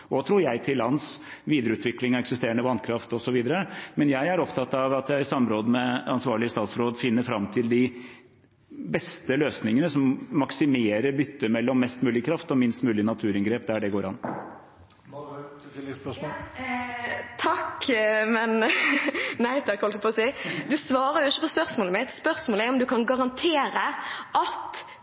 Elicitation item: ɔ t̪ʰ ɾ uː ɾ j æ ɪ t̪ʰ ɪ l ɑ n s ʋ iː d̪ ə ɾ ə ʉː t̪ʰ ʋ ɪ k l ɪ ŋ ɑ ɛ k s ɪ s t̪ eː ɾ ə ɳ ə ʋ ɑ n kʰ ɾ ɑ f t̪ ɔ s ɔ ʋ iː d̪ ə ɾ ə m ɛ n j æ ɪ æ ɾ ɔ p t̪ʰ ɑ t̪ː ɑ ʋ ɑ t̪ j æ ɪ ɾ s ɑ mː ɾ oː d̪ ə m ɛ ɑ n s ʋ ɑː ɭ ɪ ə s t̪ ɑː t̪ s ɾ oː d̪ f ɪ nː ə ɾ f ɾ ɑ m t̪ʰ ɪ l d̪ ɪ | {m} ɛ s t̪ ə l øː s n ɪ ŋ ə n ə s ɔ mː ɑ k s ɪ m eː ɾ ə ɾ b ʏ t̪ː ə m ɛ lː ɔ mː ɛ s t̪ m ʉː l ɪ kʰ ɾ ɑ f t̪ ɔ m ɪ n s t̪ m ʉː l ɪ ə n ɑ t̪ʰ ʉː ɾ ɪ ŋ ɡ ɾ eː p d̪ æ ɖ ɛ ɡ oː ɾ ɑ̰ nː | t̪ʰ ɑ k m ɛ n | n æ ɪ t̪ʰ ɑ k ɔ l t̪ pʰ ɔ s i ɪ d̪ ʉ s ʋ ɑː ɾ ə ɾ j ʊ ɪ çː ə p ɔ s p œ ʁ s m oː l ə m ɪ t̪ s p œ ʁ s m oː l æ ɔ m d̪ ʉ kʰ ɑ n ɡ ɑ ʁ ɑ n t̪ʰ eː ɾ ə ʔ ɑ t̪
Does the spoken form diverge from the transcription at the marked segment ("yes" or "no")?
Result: yes